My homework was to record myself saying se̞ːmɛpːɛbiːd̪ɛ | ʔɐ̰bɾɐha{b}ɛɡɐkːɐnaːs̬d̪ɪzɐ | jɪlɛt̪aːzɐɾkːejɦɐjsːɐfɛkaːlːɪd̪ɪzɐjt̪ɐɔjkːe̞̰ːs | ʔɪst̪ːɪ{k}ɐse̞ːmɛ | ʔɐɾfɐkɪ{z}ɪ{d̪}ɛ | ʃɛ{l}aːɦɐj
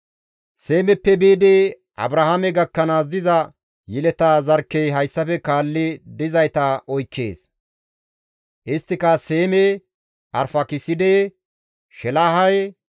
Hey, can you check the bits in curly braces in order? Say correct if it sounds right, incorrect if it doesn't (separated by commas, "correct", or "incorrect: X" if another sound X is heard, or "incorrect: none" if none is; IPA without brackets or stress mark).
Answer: incorrect: m, correct, incorrect: s, correct, correct